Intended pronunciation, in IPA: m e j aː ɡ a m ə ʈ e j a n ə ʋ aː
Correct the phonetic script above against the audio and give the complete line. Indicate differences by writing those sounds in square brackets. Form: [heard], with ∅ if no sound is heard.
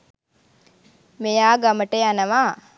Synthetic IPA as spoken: m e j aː ɡ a m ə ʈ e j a n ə ʋ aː